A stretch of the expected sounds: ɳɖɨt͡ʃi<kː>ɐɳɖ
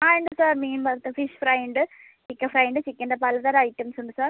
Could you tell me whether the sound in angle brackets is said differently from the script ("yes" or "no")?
no